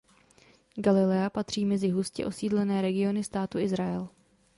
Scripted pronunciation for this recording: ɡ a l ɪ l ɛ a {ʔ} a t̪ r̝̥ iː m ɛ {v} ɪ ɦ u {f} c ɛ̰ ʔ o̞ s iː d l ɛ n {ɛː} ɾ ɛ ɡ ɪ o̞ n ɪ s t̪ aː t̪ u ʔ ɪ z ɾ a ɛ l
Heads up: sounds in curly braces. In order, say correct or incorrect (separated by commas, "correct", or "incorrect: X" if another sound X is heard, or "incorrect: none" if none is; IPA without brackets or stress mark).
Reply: incorrect: p, incorrect: z, incorrect: s, correct